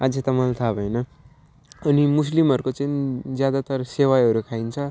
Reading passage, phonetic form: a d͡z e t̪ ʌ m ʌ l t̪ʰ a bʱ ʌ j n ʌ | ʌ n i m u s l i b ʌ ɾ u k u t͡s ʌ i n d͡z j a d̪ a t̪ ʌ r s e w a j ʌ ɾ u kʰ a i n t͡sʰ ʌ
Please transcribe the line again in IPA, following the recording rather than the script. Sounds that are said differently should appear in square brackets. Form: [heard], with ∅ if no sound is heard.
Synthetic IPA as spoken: a d͡z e t̪ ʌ m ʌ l t̪ʰ a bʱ ʌ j n ʌ | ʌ n i m u s l i [m] ʌ ɾ u k [o] t͡s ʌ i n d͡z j a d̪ a t̪ ʌ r s e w a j ʌ ɾ u kʰ a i n t͡sʰ ʌ